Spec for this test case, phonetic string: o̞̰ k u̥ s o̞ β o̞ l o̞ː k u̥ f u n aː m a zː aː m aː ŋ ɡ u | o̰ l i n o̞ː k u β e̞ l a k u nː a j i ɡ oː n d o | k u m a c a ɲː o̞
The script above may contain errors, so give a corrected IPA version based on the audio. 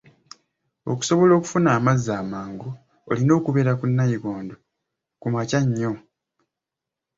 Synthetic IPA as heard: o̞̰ k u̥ s o̞ β o̞ l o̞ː k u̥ f u n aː m a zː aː m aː ŋ ɡ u | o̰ l i n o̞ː k u β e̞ ɾ a k u nː a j i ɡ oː n d o | k u m a c a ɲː o̞